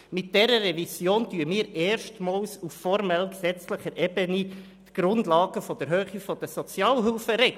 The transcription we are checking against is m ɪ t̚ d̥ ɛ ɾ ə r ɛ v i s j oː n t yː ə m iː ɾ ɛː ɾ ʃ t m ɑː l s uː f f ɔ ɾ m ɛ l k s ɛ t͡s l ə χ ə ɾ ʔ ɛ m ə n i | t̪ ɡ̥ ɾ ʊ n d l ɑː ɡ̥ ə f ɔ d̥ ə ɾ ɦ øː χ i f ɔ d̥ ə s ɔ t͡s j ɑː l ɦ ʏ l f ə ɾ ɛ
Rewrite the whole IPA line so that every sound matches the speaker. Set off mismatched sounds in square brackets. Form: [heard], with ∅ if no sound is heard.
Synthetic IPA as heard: m ɪ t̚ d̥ ɛ ɾ ə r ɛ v i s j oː n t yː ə m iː ɾ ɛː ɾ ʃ t m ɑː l s [u] f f ɔ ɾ m ɛ l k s ɛ t͡s l ə χ ə ɾ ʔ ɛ [b] ə n i | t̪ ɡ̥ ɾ ʊ n d l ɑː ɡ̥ ə f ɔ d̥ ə ɾ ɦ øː χ i f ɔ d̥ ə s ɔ t͡s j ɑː l ɦ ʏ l f ə ɾ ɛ